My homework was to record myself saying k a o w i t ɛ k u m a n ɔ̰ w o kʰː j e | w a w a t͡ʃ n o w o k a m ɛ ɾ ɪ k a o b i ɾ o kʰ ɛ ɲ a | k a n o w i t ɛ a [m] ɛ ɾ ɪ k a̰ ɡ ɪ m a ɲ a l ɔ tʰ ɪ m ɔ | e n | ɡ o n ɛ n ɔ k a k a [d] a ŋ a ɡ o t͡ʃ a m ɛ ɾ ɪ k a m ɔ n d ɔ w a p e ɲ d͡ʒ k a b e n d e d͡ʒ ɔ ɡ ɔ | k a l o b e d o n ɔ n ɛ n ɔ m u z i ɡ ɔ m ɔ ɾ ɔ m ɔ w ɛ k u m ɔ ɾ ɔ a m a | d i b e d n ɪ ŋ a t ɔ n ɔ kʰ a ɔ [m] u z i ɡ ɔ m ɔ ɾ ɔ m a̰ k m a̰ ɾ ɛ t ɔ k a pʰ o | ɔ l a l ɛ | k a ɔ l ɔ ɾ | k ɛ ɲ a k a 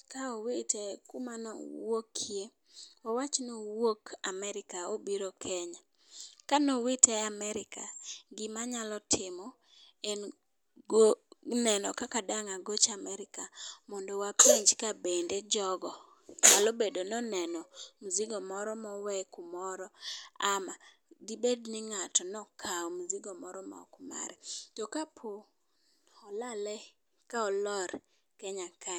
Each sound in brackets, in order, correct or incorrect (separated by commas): correct, correct, correct